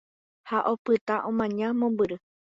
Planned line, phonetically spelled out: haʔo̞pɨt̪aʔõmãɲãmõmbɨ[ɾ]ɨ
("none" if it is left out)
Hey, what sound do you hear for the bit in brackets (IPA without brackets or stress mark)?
ɾ